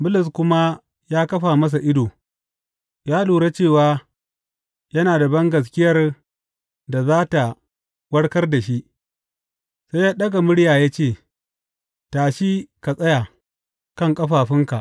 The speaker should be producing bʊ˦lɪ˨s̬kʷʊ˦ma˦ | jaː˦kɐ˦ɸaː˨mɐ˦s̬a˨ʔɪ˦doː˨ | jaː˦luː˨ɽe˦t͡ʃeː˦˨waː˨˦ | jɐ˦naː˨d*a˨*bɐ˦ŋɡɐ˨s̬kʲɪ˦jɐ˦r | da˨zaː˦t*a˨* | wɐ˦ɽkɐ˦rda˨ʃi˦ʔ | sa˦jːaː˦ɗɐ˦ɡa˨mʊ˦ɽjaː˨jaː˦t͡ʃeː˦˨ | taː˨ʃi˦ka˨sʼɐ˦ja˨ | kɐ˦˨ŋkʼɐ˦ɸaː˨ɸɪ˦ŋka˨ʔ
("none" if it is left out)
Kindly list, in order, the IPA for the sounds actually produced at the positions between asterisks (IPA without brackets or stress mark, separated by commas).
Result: a˨, a˨